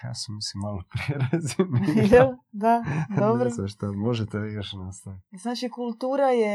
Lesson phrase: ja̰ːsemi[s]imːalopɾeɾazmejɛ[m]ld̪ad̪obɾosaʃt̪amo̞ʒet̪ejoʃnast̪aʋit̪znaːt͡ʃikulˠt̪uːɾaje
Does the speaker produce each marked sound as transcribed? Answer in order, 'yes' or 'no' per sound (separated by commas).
yes, no